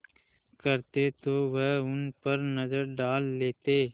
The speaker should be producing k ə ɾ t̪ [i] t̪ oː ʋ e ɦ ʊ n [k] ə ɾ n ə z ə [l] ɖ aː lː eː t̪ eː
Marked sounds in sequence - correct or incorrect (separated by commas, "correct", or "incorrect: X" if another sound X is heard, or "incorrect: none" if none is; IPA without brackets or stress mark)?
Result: incorrect: e, incorrect: p, incorrect: ɾ